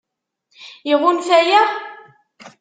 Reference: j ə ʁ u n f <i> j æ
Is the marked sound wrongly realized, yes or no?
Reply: yes